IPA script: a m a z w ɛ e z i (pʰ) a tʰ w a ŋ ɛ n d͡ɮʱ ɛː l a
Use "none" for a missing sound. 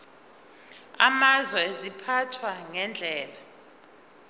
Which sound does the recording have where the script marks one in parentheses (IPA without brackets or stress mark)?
pʰ